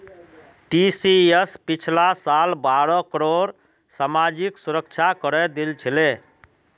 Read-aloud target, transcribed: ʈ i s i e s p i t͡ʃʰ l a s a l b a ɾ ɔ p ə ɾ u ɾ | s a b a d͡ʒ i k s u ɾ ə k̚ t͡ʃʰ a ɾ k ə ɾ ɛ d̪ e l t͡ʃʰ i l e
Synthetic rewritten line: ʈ i s i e s p i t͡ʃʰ l a s a l b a ɾ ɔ k ə ɾ o ɾ | s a m a d͡ʒ i k s u ɾ ə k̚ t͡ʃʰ a k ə ɾ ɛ d̪ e l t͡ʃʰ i l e